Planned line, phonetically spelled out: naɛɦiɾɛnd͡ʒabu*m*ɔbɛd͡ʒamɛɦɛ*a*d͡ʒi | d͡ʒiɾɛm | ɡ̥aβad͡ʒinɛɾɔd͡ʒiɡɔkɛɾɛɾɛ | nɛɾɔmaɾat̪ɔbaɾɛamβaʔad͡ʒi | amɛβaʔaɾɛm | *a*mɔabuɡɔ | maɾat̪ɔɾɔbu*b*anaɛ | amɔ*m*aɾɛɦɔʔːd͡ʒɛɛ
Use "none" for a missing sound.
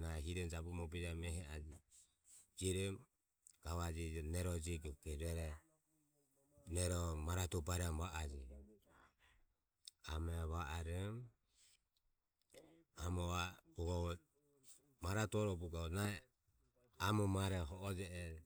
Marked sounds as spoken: m, a, a, ɡ, m

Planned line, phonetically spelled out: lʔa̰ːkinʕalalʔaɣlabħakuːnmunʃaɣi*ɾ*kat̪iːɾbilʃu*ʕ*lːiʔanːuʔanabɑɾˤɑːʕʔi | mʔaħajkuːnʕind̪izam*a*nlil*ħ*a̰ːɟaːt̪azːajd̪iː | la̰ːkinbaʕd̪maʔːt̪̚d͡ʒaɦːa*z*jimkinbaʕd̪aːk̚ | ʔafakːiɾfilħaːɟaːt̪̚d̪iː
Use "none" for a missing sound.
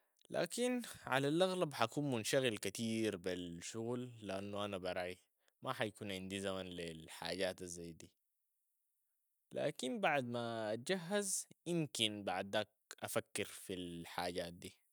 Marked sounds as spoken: l, ɣ, a, ħ, z

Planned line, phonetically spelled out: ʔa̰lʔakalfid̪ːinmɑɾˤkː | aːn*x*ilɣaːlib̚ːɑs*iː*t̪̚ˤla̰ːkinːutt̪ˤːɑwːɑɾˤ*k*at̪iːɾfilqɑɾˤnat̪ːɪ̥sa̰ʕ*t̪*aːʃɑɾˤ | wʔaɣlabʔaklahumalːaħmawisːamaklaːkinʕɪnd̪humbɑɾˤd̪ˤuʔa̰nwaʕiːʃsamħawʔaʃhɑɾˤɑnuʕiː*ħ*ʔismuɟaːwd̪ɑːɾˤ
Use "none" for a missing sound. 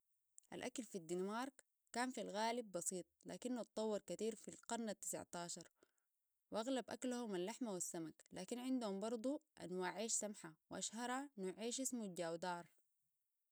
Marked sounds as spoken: f, iː, k, t̪, ʃ

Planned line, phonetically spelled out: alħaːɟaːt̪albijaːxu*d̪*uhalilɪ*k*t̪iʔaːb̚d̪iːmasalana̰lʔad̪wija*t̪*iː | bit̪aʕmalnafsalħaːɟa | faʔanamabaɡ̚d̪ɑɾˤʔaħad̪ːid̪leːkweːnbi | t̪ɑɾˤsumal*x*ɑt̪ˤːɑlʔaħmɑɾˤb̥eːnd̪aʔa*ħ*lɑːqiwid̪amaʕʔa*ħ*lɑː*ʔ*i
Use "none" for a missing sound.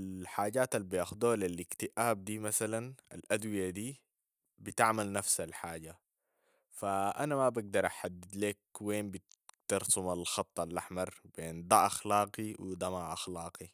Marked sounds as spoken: d̪, k, d̪, x, x, x, q

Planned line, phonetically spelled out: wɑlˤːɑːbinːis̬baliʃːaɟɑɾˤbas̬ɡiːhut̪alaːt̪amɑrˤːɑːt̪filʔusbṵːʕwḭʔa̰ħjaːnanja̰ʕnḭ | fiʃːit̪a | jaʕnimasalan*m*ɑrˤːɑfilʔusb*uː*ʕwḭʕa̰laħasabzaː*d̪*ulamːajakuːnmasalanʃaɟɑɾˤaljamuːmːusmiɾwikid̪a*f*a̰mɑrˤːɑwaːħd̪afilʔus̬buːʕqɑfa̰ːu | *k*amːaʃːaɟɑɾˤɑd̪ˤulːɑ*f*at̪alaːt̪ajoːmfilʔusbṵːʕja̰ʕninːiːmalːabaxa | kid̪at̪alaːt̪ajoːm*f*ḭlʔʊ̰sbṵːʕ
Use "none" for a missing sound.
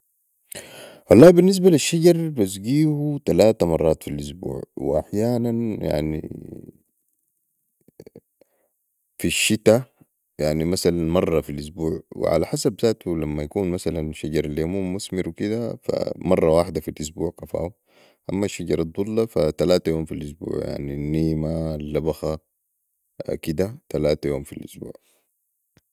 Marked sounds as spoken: m, uː, t̪, f, ʔ, f, f

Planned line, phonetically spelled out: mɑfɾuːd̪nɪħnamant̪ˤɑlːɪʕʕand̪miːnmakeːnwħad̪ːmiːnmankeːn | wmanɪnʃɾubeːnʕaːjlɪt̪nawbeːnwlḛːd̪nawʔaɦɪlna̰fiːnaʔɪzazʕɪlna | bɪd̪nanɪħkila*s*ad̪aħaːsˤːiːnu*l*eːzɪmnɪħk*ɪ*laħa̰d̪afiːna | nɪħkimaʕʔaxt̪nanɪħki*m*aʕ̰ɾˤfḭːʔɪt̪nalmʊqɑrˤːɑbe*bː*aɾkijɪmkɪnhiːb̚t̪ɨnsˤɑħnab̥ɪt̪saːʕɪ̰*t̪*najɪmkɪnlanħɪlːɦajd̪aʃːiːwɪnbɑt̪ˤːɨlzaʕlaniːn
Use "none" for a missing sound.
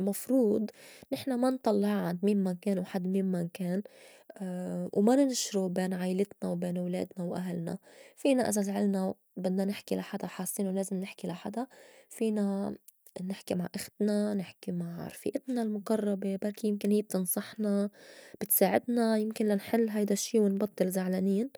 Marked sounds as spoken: ħ, l, i, m, b, d̪

